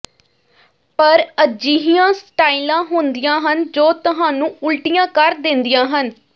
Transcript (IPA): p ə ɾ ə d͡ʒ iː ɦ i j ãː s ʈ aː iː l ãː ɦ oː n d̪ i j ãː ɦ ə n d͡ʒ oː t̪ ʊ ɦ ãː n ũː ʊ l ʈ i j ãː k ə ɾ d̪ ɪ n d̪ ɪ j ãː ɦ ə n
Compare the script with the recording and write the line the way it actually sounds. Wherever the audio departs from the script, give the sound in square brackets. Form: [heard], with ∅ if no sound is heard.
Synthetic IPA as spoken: p ə ɾ ə d͡ʒ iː ɦ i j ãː s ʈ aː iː l ãː ɦ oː n d̪ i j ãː ɦ ə n d͡ʒ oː t̪ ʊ ɦ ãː n ũː ʊ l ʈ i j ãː k ə ɾ d̪ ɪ n d̪ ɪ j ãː ɦ ə n